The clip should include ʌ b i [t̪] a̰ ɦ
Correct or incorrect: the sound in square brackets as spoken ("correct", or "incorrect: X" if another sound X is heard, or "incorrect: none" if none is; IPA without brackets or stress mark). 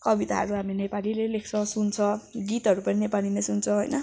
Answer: correct